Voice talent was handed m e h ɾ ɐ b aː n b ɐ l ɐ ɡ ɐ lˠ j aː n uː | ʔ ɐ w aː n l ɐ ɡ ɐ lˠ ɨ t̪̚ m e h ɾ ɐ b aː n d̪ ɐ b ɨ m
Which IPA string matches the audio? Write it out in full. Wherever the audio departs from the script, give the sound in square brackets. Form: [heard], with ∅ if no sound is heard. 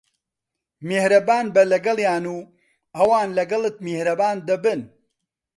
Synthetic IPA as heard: m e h ɾ ɐ b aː n b ɐ l ɐ ɡ ɐ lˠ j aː n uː | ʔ ɐ w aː n l ɐ ɡ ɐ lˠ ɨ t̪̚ m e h ɾ ɐ b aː n d̪ ɐ b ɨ [n]